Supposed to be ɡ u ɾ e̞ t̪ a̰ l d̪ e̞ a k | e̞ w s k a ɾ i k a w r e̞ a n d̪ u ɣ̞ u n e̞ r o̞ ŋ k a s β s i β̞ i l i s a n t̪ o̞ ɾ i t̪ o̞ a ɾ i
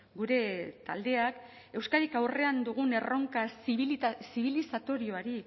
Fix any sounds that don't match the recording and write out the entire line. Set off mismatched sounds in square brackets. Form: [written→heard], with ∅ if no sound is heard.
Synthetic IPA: ɡ u ɾ e̞ t̪ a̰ l d̪ e̞ a k | e̞ w s k a ɾ i k a w r e̞ a n d̪ u ɣ̞ u n e̞ r o̞ ŋ k a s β s i β̞ i l i s a [n→∅] t̪ o̞ ɾ i [t̪→∅] o̞ a ɾ i